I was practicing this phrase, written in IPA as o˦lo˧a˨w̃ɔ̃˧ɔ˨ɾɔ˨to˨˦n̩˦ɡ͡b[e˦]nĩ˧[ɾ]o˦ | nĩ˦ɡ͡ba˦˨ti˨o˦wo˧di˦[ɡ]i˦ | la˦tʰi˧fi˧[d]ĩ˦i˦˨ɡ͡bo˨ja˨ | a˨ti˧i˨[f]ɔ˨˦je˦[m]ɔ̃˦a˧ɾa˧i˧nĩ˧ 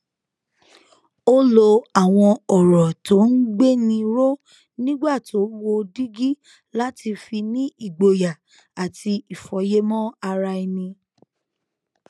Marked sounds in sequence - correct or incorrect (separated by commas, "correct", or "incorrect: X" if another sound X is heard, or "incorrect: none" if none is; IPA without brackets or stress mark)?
correct, correct, correct, incorrect: n, correct, correct